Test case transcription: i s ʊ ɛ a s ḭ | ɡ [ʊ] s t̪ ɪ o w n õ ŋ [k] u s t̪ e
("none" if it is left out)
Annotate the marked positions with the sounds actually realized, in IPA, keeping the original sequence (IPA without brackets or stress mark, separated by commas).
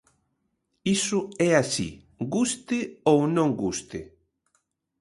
u, ɡ